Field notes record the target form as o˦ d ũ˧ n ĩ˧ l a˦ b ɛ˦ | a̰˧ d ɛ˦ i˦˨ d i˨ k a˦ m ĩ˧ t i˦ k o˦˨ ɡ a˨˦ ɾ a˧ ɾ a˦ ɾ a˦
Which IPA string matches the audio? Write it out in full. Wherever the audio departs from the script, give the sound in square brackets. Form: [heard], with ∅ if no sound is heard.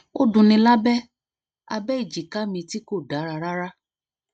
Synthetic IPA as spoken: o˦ d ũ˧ n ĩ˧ l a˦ b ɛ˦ | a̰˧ [b] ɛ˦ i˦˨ [d͡ʒ] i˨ k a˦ m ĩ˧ t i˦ k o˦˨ [d] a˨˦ ɾ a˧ ɾ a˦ ɾ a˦